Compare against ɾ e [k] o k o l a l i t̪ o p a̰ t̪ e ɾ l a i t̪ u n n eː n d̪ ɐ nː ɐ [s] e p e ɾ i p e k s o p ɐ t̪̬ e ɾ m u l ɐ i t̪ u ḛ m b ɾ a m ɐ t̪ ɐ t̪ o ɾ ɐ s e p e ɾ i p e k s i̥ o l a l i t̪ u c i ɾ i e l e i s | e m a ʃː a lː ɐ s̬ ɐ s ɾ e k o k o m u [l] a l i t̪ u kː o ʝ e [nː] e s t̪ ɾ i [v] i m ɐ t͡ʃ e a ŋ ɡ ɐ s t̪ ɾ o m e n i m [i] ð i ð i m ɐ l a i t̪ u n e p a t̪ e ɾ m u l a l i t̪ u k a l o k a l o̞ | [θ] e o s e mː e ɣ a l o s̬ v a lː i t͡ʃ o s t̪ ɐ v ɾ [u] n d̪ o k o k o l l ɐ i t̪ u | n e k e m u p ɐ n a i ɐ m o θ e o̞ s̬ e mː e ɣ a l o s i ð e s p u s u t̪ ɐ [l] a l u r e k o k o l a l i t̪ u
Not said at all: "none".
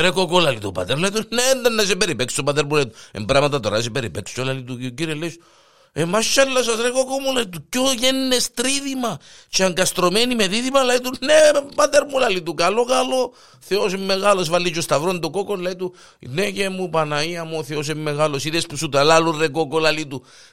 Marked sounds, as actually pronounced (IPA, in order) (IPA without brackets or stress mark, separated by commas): k, s, l, nː, ð, e, θ, o, l